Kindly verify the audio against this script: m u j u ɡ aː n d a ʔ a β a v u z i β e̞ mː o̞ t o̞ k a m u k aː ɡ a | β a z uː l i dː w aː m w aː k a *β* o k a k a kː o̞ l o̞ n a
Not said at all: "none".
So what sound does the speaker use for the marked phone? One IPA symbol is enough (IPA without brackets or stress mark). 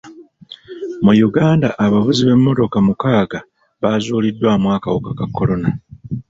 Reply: w